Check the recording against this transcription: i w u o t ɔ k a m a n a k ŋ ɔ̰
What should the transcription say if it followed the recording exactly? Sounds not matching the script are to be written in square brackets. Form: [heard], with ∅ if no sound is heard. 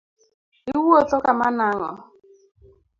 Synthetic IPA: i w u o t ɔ k a m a n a [∅] ŋ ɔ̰